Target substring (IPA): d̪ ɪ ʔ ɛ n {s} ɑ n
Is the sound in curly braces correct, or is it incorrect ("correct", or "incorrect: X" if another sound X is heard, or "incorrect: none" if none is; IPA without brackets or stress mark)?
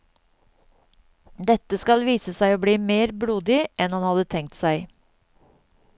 incorrect: h